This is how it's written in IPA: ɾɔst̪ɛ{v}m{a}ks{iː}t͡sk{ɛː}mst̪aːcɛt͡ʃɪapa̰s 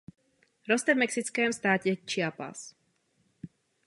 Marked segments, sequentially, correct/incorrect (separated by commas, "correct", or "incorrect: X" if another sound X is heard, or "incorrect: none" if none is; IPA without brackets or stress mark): correct, incorrect: ɛ, incorrect: i, correct